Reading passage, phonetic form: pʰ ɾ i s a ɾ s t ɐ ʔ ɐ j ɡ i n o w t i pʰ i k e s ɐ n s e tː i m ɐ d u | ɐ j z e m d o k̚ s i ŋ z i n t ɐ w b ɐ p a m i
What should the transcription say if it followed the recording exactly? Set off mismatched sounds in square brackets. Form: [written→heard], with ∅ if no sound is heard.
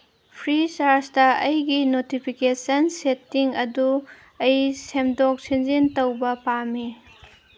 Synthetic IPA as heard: pʰ ɾ i s a ɾ s t ɐ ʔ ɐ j ɡ i n o [w→∅] t i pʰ i k e s ɐ n s e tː i [m→ŋ] ɐ d u | ɐ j [z→s] e m d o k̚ s i [ŋ→n] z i n t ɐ w b ɐ p a m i